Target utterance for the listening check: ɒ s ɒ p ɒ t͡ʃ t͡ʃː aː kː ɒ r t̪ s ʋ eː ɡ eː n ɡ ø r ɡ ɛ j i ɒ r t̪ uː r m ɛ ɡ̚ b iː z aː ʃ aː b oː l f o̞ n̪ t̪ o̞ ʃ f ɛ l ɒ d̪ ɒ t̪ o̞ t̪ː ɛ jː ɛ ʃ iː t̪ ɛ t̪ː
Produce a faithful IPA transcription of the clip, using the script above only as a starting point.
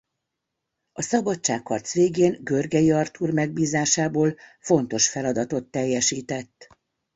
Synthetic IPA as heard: ɒ s ɒ b ɒ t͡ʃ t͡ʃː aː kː ɒ r t̪ s ʋ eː ɡ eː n ɡ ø r ɡ ɛ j i ɒ r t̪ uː r m ɛ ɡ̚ b iː z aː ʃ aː b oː l f o̞ n̪ t̪ o̞ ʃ f ɛ l ɒ d̪ ɒ t̪ o̞ t̪ː ɛ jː ɛ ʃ iː t̪ ɛ t̪ː